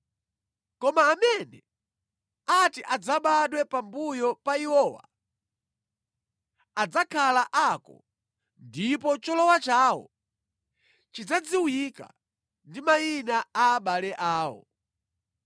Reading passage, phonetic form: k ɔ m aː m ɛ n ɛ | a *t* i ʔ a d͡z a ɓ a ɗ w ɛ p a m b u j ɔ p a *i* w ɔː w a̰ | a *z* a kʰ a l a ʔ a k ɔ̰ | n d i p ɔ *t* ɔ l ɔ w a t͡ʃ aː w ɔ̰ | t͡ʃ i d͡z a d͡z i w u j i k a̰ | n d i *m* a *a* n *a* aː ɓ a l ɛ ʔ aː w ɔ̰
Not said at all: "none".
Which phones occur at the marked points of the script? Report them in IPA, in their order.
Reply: t, i, d͡z, t͡ʃ, m, i, a

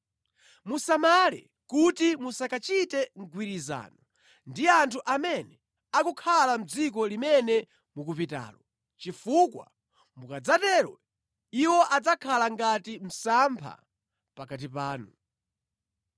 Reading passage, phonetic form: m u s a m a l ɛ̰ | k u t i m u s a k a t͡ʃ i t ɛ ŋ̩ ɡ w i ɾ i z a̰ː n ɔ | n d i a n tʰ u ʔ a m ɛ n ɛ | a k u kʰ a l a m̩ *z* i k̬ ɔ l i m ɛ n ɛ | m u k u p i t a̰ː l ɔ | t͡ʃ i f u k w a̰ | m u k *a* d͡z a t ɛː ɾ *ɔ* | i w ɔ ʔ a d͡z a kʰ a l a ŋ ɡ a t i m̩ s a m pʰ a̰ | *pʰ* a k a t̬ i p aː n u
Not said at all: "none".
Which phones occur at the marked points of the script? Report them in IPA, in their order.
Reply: d͡z, a, ɔ, p

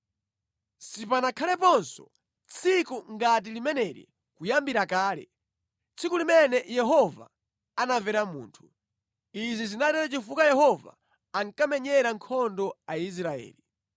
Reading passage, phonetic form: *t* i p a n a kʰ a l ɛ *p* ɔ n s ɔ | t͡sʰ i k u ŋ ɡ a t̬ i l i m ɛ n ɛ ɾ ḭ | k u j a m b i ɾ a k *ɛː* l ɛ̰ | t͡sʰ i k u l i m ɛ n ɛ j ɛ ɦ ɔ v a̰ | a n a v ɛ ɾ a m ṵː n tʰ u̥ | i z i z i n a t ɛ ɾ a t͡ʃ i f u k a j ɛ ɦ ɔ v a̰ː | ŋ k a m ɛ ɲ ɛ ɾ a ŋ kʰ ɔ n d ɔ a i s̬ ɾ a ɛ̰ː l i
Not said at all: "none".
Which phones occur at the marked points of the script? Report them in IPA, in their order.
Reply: s, p, aː

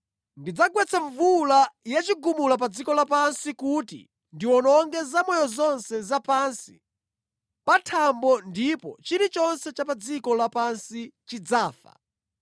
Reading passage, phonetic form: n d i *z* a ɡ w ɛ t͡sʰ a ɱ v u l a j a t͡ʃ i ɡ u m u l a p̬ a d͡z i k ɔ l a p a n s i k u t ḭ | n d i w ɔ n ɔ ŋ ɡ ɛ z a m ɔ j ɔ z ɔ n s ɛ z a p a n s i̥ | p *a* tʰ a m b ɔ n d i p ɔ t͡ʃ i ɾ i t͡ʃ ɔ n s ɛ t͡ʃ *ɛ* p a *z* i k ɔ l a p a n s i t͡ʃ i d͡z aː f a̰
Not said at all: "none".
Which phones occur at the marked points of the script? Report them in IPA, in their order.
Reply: d͡z, a, a, d͡z

